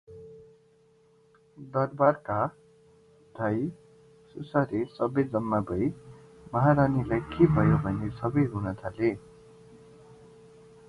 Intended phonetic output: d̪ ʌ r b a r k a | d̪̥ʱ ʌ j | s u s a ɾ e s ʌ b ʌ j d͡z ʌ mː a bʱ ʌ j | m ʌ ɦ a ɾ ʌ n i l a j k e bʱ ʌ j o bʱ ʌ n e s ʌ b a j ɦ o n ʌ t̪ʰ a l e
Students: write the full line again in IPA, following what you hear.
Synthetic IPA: d̪ ʌ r b a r k a | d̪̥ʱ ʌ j | s u s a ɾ e s ʌ b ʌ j d͡z ʌ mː a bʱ ʌ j | m ʌ ɦ a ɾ a n i l a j k e bʱ ʌ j o bʱ ʌ n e s ʌ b ʌ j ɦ u n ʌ t̪ʰ a l e